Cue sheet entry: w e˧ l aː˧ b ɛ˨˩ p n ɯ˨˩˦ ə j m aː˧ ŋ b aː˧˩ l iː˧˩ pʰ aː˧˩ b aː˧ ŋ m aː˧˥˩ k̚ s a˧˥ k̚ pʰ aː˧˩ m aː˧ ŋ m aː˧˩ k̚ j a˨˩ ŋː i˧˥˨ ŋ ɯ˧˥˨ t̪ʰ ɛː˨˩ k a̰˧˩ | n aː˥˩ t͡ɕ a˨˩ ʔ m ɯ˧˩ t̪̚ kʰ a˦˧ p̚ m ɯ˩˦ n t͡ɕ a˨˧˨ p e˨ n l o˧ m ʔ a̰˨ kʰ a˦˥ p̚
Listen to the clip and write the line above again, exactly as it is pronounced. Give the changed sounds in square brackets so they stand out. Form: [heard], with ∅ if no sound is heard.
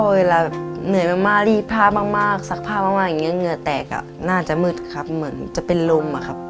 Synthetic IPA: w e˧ l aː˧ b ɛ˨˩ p n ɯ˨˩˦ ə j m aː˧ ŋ [m] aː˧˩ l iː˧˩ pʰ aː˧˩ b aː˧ ŋ m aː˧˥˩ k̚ s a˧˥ k̚ pʰ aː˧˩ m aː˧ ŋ m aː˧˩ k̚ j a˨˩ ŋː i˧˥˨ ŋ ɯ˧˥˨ [t̪] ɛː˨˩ k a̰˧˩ | n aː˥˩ t͡ɕ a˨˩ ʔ m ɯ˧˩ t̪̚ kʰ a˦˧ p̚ m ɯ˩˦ n t͡ɕ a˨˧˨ p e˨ n l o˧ m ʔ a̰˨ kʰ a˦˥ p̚